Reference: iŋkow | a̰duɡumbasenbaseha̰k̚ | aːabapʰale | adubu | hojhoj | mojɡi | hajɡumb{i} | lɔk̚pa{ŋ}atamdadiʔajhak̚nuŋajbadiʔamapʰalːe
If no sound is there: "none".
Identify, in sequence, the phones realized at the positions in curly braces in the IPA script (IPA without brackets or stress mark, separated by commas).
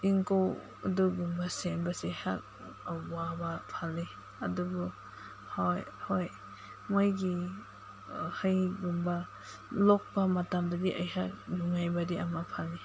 a, m